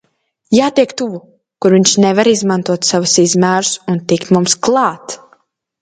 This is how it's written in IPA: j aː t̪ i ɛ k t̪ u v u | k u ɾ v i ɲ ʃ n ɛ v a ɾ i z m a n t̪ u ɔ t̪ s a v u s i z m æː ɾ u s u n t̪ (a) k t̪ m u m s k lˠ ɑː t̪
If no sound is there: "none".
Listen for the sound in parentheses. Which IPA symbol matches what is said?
i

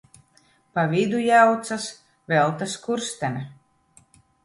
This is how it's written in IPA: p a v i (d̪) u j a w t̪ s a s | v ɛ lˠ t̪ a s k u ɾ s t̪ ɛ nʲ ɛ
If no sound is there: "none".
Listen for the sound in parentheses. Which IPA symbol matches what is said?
d̪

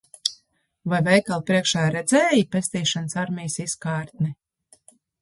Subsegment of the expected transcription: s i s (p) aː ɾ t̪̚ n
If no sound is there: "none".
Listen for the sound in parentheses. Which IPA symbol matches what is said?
k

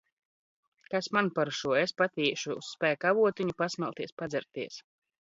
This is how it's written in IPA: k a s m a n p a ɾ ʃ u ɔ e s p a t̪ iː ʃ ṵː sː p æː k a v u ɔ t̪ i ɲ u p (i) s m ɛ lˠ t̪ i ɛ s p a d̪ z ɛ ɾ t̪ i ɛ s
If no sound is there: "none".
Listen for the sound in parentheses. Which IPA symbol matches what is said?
a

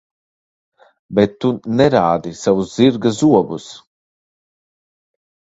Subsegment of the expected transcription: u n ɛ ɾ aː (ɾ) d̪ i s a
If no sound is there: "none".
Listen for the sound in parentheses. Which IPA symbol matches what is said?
none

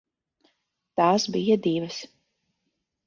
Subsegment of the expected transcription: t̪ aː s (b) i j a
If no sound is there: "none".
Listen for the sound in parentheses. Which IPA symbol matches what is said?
b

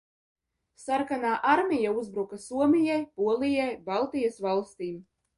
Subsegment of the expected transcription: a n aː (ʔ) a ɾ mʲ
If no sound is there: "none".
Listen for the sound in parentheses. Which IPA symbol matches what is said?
ʔ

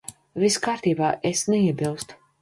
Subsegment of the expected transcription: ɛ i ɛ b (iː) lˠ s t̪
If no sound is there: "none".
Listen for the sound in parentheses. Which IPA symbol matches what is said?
i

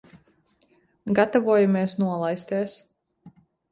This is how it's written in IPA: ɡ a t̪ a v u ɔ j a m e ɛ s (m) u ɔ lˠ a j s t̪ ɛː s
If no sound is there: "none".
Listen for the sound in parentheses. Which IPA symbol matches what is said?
n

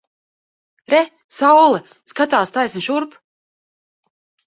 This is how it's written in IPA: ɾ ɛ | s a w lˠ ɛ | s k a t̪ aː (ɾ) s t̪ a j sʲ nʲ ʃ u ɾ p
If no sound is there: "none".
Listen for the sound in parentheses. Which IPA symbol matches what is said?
none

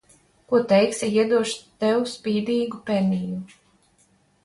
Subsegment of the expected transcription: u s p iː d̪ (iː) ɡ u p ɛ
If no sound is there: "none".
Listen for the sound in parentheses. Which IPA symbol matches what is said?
iː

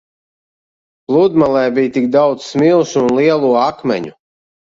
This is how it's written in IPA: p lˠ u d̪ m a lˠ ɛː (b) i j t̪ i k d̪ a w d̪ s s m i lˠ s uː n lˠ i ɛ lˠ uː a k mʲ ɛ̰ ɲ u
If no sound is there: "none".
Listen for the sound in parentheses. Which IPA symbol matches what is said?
b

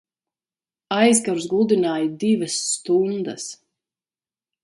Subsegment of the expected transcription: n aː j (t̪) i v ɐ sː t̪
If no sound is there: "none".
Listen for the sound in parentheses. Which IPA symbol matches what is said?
d̪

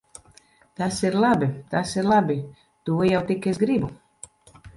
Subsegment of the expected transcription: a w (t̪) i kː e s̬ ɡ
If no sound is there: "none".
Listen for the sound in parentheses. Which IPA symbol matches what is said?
t̪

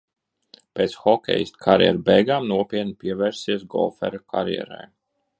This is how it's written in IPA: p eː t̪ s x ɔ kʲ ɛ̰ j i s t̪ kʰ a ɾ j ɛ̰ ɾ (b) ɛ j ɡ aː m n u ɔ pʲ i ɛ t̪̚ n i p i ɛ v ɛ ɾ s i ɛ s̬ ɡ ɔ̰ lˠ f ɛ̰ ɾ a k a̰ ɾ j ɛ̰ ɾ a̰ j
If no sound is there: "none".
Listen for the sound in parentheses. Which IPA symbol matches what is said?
b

